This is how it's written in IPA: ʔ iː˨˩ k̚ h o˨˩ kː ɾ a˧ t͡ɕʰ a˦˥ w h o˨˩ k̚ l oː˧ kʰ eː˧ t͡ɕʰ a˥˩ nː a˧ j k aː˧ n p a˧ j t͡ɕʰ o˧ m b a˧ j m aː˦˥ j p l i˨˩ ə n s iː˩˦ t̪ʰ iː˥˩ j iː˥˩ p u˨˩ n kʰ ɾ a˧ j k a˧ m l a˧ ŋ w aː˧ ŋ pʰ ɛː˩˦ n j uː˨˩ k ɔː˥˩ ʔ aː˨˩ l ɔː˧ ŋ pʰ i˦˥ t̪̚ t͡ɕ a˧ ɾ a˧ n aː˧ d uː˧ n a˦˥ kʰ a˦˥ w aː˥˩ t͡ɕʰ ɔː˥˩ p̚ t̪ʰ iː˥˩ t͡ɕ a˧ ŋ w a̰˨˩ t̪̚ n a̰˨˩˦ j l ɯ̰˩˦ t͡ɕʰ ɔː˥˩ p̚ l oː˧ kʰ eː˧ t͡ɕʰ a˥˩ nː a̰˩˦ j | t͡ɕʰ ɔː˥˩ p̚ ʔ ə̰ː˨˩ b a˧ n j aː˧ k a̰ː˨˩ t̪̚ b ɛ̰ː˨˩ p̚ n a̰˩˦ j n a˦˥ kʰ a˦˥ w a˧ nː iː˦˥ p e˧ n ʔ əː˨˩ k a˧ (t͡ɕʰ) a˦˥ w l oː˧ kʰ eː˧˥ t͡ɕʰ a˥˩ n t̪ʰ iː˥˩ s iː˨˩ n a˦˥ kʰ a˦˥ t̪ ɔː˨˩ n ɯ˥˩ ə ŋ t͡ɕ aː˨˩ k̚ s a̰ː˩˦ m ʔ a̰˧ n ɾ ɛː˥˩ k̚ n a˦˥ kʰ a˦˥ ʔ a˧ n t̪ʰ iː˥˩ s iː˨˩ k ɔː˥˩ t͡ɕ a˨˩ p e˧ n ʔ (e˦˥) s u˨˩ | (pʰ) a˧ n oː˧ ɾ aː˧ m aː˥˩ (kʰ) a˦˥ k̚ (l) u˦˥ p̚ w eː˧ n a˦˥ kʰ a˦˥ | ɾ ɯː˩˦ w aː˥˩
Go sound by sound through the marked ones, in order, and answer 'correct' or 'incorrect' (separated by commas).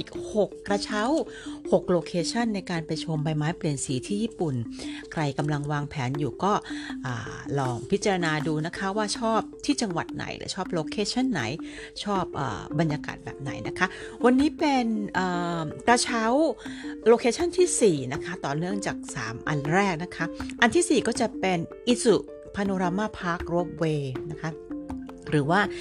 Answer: correct, incorrect, correct, incorrect, incorrect